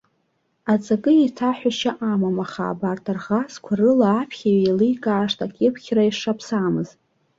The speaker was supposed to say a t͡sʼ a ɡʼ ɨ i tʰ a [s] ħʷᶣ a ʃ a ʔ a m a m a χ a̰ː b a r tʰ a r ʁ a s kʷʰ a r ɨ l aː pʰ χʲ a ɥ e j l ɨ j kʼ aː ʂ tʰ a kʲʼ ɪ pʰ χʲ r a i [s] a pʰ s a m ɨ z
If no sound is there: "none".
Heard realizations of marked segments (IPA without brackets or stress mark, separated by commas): none, ʂ